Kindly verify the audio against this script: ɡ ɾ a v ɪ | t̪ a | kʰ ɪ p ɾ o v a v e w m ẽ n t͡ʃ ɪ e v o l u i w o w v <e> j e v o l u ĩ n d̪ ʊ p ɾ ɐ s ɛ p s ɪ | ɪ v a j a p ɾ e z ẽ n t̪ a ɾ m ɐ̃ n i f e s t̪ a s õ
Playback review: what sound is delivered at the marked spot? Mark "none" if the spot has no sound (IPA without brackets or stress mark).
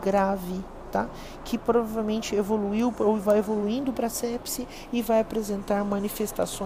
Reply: a